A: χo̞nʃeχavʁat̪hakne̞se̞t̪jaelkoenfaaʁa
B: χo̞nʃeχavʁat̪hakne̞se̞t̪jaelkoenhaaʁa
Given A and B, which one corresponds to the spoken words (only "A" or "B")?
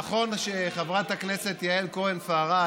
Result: A